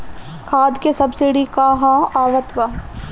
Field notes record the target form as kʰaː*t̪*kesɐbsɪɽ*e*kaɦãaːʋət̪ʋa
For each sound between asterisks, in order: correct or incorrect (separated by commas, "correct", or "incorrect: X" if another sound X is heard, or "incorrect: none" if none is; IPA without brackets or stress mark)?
incorrect: d̪, incorrect: i